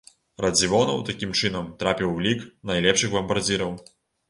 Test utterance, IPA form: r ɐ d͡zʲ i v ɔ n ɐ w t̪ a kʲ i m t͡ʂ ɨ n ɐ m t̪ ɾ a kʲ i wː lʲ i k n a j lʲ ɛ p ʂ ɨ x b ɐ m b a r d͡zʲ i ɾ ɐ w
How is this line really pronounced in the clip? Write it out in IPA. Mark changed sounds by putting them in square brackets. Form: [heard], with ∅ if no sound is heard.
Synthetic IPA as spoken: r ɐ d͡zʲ i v ɔ n ɐ w t̪ a kʲ i m t͡ʂ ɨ n ɐ m t̪ ɾ a [pʲ] i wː lʲ i k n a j lʲ ɛ p ʂ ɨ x b ɐ m b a r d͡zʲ i ɾ ɐ w